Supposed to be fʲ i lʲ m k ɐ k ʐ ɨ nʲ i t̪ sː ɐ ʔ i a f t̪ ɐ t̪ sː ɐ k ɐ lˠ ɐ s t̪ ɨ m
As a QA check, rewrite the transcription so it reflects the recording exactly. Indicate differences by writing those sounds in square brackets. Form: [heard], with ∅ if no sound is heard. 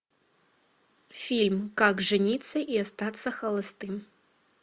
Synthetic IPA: fʲ i lʲ m k [a] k ʐ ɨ nʲ i t̪ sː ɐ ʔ i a [s] t̪ [a] t̪ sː ɐ [x] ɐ lˠ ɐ s t̪ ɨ m